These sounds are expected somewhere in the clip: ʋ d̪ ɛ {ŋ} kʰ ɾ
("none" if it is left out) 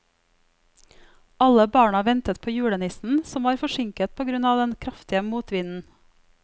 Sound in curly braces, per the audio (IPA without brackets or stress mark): n